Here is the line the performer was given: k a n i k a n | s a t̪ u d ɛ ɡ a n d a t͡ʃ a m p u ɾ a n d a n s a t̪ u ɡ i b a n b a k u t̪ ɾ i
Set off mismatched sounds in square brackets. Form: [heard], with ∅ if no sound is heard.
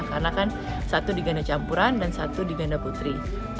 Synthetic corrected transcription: k a n [a] k a n | s a t̪ u d [i] ɡ a n d a t͡ʃ a m p u ɾ a n d a n s a t̪ u [d] i [ɡ] a n [d] a [p] u t̪ ɾ i